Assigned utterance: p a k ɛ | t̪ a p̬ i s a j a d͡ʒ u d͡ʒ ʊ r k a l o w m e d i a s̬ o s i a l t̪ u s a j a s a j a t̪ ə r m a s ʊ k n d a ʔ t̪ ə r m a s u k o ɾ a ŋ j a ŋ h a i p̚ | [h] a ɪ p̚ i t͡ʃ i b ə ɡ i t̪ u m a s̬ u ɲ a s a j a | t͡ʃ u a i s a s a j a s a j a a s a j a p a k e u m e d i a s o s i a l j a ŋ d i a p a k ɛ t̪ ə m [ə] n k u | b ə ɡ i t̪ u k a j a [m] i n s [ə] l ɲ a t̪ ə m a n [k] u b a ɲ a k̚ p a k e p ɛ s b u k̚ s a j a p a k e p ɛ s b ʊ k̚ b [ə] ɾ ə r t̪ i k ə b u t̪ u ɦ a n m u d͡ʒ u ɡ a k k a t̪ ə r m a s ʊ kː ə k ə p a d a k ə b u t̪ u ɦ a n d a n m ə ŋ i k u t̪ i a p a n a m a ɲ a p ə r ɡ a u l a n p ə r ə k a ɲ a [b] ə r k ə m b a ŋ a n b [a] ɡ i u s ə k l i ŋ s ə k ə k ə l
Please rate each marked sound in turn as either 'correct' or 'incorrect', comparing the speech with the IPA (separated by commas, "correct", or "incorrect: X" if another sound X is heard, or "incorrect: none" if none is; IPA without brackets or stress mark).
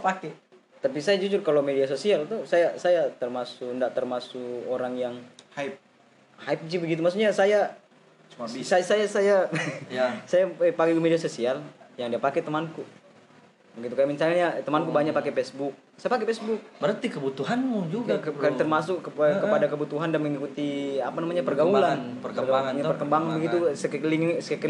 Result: correct, incorrect: a, correct, incorrect: a, correct, correct, incorrect: p, incorrect: ə